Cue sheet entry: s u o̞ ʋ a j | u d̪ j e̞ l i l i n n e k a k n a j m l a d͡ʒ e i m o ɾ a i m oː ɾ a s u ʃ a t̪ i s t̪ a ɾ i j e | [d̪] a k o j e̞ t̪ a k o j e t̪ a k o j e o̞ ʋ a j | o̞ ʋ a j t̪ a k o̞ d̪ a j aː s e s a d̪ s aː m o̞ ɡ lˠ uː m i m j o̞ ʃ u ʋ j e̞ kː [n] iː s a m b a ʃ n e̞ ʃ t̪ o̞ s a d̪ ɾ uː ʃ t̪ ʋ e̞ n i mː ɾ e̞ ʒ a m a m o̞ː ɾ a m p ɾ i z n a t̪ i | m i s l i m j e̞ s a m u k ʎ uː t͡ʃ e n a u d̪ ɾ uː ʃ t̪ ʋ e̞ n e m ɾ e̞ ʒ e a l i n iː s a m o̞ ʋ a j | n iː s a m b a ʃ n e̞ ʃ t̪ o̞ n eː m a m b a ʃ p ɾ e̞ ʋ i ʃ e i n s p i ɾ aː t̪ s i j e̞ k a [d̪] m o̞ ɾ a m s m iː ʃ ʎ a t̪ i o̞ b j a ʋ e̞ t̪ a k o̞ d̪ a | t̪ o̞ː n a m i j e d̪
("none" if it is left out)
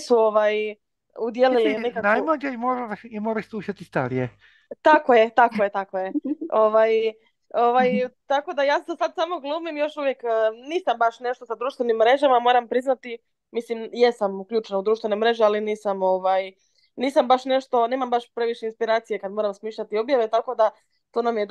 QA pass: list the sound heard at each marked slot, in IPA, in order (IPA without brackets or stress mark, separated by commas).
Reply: t̪, n, d̪